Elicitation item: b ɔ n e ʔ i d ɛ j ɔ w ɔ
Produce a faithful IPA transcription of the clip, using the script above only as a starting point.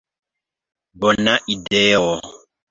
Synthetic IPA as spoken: b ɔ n a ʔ i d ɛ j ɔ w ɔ